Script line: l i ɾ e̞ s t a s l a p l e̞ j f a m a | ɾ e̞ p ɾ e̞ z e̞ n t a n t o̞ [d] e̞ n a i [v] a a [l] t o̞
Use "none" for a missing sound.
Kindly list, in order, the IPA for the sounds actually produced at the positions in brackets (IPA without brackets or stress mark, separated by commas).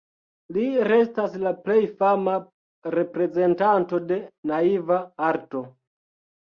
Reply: d, v, ɾ